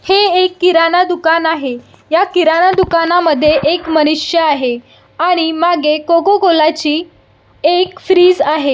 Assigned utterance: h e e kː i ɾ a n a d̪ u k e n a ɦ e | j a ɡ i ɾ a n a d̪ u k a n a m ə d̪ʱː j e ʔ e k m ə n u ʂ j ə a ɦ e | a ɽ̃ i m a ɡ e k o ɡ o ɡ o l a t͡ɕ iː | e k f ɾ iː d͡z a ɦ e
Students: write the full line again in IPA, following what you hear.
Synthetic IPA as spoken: h e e kː i ɾ a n a d̪ u k a n a ɦ e | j a k i ɾ a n a d̪ u k a n a m ə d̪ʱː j e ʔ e k m ə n u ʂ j ə a ɦ e | a ɽ̃ i m a ɡ e k o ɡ o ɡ o l a t͡ɕ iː | e k f ɾ iː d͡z a ɦ e